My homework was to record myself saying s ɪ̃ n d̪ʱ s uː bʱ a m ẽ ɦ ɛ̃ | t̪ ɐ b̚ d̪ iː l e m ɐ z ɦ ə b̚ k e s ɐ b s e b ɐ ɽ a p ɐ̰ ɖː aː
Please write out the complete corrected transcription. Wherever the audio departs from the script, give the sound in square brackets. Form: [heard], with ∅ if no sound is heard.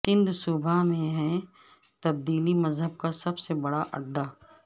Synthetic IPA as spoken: s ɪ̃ n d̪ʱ s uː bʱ a m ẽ ɦ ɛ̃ | t̪ ɐ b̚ d̪ iː l [i] m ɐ z ɦ ə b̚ k [a] s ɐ b s e b ɐ ɽ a [ʔ] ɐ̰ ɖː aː